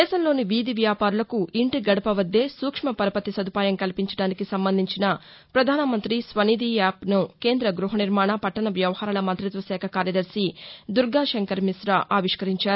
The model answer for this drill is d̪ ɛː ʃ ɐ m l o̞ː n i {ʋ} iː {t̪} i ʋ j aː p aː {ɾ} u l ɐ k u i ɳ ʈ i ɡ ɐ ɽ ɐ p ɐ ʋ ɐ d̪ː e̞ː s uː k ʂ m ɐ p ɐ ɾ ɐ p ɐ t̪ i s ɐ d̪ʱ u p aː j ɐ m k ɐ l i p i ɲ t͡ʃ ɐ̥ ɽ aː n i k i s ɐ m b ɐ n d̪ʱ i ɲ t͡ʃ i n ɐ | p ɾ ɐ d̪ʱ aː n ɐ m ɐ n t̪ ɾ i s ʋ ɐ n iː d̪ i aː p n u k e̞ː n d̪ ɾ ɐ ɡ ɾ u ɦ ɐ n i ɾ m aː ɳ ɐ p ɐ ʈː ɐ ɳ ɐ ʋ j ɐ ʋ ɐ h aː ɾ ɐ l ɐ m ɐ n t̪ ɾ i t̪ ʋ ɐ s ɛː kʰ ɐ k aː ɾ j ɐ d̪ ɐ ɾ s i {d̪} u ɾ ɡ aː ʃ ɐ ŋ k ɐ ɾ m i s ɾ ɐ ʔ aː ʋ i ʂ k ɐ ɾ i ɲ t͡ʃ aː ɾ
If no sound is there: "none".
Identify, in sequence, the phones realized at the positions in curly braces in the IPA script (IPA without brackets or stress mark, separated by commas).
ʋ, d̪, ɾ, d̪